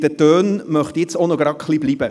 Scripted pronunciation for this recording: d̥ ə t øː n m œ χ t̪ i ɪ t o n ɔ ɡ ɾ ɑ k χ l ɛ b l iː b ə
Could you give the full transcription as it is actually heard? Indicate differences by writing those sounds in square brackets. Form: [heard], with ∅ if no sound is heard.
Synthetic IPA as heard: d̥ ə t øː n m œ χ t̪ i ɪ [t͡s] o n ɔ ɡ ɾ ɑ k χ l [i] b l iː b ə